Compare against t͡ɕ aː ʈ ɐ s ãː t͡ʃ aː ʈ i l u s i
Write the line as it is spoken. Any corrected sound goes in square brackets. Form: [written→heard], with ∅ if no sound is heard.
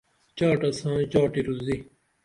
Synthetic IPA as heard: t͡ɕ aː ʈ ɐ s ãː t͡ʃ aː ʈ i [l→ɾ] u [s→z] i